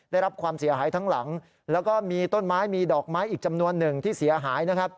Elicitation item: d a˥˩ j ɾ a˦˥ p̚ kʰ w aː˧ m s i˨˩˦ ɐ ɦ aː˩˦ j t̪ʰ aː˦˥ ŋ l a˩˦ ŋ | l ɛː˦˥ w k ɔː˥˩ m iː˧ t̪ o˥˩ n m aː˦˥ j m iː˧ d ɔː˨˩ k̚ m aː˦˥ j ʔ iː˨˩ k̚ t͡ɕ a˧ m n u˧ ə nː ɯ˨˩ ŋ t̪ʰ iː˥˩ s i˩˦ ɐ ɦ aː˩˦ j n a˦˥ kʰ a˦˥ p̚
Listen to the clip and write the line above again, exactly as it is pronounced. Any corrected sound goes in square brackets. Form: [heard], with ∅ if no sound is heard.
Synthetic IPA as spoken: d a˥˩ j ɾ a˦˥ p̚ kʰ w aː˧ m s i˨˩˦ ɐ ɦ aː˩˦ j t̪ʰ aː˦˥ ŋ l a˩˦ ŋ | l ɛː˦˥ w k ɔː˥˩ m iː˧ t̪ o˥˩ n m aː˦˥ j m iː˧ d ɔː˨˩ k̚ m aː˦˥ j ʔ iː˨˩ k̚ t͡ɕ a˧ m n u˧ ə nː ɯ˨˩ ŋ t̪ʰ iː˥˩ s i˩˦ ɐ ɦ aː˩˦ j n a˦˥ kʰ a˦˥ p̚